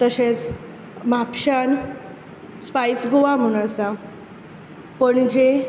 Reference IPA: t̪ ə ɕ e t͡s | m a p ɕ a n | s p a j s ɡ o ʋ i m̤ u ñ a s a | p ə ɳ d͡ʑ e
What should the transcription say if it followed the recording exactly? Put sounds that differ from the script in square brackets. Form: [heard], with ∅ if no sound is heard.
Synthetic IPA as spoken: t̪ ə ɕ e t͡s | m a p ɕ a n | s p a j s ɡ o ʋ [a] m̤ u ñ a s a | p ə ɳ d͡ʑ e